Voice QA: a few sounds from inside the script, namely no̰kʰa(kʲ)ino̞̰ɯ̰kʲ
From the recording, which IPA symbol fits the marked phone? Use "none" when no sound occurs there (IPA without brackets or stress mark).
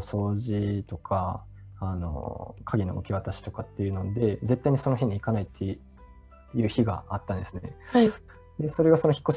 ɡʲ